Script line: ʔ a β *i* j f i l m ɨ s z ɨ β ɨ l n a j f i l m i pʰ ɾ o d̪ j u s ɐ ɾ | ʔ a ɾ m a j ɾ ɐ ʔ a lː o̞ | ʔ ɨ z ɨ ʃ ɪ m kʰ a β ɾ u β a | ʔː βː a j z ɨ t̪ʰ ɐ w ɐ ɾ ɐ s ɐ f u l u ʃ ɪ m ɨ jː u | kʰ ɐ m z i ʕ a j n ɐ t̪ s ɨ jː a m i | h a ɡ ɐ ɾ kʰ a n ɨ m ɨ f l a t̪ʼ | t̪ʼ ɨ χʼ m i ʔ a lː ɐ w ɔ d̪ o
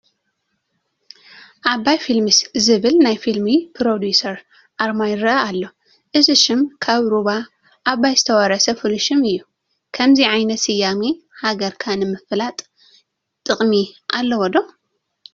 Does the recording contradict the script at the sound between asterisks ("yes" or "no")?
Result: yes